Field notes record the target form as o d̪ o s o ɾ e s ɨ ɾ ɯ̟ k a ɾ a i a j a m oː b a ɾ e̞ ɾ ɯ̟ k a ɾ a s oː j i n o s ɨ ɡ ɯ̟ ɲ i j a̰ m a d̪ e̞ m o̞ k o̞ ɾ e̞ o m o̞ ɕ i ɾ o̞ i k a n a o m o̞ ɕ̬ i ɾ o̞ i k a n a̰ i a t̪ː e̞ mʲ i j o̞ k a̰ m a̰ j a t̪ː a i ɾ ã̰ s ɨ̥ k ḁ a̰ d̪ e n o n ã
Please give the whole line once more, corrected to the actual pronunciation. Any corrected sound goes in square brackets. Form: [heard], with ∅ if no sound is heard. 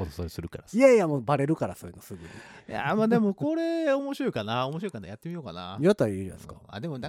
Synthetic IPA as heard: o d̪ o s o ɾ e s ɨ ɾ ɯ̟ k a ɾ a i a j a m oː b a ɾ e̞ ɾ ɯ̟ k a ɾ a s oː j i n o s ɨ ɡ ɯ̟ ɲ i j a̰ m a d̪ e̞ m o̞ k o̞ ɾ e̞ o m o̞ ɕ i ɾ o̞ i k a n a o m o̞ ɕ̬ i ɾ o̞ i k a n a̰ [j] a t̪ː e̞ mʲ i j o̞ k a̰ [n] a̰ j a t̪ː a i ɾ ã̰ s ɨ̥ k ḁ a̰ d̪ e [m] o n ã